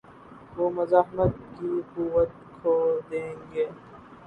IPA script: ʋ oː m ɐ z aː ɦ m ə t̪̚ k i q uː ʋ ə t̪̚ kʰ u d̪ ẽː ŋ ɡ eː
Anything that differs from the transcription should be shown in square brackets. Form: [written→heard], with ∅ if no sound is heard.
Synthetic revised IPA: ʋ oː m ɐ z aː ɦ m ə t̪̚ k i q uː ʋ ə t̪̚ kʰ [u→o] d̪ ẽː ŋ ɡ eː